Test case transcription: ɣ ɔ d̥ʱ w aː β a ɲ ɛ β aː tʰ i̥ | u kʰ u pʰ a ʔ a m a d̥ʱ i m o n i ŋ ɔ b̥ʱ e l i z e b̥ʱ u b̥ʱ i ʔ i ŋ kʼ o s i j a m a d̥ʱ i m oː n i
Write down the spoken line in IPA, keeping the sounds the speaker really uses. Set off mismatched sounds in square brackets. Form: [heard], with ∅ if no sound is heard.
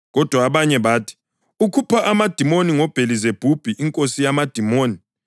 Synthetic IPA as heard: ɣ ɔ d̥ʱ w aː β a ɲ ɛ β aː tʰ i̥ | u kʰ u pʰ a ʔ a m a d̥ʱ i m o n i ŋ ɔ b̥ʱ e l i z e b̥ʱ u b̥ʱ i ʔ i ŋ kʼ o s i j a m a d̥ʱ i m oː n i